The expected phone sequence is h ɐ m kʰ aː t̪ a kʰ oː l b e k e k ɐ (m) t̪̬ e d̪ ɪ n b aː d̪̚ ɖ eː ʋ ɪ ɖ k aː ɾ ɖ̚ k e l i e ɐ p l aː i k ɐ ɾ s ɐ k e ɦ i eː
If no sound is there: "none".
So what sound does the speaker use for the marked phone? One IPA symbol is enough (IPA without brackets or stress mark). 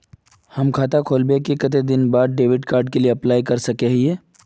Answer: none